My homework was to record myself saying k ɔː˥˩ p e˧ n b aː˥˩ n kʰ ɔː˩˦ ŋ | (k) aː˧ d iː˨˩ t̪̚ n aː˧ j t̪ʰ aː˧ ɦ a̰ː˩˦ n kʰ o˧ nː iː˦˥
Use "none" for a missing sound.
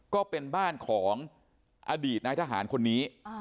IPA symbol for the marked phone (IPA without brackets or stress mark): ʔ